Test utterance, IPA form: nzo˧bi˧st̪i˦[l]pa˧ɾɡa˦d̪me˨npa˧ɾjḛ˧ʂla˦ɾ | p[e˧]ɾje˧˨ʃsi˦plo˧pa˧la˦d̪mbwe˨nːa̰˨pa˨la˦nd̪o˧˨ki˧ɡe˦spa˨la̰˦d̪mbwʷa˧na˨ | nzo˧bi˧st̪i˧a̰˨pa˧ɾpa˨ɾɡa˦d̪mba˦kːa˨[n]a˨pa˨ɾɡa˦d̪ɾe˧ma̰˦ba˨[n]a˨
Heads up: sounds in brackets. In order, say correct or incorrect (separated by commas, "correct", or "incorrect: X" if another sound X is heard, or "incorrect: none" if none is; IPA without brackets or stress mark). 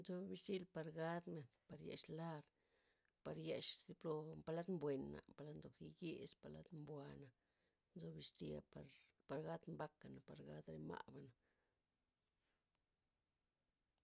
correct, incorrect: a˧, correct, correct